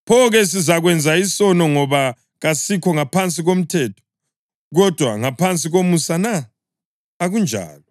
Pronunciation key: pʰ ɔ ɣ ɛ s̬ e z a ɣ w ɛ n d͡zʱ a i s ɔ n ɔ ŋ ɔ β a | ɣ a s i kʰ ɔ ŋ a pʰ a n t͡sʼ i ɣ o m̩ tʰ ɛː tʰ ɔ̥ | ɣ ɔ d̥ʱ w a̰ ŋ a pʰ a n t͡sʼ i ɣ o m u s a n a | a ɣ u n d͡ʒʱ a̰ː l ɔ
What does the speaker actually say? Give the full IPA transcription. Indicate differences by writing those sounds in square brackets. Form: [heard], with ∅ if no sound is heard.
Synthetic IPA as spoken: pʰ ɔ ɣ ɛ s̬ [i] z a ɣ w ɛ n d͡zʱ a i s ɔ n ɔ ŋ ɔ β a | ɣ a s i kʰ ɔ ŋ a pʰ a n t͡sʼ i ɣ o m̩ tʰ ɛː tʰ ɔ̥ | ɣ ɔ d̥ʱ w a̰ ŋ a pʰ a n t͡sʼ i ɣ o m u s a n a | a ɣ u n d͡ʒʱ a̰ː l ɔ